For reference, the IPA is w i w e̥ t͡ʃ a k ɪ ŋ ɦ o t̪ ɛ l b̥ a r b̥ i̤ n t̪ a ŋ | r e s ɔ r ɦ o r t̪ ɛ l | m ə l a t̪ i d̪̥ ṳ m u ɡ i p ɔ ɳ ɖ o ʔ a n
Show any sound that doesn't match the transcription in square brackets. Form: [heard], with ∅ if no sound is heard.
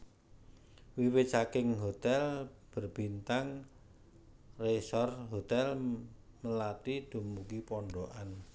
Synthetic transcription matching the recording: w i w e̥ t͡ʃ a k ɪ ŋ ɦ o t̪ ɛ l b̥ [ə] r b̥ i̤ n t̪ a ŋ | r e s ɔ r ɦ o [∅] t̪ ɛ l | m ə l a t̪ i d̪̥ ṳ m u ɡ i p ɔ ɳ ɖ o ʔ a n